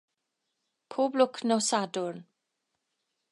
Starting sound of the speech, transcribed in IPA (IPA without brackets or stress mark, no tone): pʰ